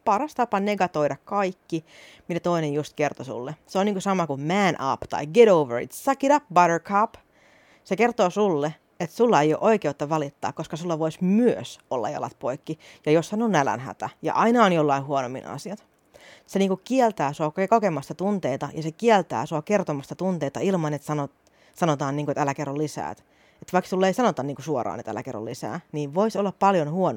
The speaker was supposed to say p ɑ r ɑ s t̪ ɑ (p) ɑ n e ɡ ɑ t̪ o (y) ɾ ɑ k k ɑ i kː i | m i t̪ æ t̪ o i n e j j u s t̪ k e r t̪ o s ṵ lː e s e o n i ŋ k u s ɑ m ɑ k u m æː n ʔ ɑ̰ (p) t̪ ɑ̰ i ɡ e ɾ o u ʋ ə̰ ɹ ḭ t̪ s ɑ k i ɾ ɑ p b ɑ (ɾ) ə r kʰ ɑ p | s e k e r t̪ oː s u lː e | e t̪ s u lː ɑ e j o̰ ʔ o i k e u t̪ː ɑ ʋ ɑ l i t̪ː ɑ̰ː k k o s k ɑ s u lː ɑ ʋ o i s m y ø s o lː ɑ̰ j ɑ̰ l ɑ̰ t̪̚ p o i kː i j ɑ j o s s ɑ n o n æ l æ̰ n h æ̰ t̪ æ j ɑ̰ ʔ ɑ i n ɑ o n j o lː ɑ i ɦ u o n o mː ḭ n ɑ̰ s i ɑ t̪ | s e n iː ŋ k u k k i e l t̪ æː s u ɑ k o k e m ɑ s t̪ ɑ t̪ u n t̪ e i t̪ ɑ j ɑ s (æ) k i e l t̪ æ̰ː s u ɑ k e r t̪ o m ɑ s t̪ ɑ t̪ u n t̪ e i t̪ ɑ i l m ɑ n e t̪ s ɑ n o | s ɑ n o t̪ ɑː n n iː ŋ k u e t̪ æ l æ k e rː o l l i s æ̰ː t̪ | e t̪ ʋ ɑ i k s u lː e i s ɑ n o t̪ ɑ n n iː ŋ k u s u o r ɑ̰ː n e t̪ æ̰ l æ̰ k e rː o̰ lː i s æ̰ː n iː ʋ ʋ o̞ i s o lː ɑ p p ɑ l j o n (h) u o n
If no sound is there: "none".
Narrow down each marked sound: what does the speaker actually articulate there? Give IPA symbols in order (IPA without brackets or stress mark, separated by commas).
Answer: p, i, p, ɾ, e, h